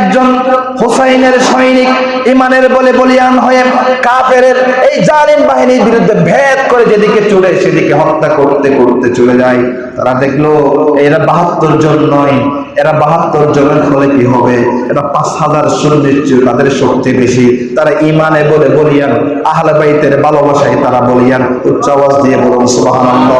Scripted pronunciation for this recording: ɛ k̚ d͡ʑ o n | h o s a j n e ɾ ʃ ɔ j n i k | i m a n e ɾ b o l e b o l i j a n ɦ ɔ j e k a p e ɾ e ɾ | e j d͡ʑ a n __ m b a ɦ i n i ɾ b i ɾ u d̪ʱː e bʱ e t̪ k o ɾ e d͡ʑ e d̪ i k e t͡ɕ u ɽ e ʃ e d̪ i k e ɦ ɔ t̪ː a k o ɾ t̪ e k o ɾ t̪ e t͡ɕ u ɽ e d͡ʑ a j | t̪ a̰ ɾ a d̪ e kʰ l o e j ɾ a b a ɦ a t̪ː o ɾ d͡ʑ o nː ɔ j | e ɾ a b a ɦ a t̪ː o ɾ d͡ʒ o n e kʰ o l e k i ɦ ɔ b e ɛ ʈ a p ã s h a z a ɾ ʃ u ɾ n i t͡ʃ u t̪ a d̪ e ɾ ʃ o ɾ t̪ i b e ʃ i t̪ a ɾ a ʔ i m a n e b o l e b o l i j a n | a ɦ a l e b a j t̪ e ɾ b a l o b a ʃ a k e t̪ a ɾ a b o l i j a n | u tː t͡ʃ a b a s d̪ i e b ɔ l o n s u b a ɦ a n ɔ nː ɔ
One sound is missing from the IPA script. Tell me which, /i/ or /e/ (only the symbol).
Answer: i